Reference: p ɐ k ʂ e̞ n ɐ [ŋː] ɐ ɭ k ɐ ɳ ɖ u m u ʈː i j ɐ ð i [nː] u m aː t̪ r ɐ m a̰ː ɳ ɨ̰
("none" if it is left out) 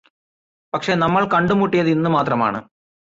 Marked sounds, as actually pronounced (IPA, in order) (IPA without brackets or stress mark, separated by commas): mː, nː